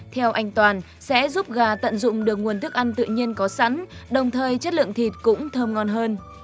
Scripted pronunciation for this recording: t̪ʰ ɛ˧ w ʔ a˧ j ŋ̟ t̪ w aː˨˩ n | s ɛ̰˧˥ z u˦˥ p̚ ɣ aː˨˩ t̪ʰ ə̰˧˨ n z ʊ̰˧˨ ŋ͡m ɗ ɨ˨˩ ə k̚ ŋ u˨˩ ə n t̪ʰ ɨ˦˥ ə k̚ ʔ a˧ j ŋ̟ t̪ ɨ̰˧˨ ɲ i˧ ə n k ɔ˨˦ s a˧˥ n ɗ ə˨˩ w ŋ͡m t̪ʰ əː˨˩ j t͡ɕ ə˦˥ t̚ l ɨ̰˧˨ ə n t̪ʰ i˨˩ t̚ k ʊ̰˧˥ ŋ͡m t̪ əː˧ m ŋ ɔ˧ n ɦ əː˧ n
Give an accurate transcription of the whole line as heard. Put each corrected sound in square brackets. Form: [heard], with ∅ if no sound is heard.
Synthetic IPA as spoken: t̪ʰ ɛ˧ w ʔ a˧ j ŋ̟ t̪ w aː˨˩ n | s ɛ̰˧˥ z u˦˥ p̚ ɣ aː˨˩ [t̪] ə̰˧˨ n z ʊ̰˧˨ ŋ͡m ɗ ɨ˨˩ ə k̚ ŋ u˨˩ ə n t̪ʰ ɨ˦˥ ə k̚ ʔ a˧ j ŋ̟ t̪ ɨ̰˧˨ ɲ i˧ ə n k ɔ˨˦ s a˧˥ n ɗ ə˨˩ w ŋ͡m t̪ʰ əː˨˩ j t͡ɕ ə˦˥ t̚ l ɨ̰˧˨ ə [ŋ] t̪ʰ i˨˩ t̚ k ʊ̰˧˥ ŋ͡m [t̪ʰ] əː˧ m ŋ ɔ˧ n ɦ əː˧ n